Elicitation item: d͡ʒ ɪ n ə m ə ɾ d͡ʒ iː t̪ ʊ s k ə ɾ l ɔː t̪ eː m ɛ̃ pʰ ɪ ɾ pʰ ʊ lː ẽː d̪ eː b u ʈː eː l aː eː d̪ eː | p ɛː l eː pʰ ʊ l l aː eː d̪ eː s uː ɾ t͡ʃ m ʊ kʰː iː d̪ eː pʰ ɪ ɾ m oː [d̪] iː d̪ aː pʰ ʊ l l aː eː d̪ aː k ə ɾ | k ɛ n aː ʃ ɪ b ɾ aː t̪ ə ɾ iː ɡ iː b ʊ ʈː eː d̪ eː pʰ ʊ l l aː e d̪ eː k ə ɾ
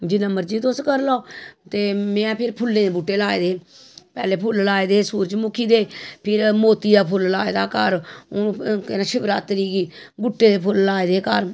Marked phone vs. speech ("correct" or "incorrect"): incorrect